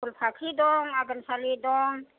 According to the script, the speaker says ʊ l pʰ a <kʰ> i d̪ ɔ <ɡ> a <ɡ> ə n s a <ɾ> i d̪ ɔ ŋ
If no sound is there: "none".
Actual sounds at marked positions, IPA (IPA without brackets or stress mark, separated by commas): kʰ, ŋ, ɡ, l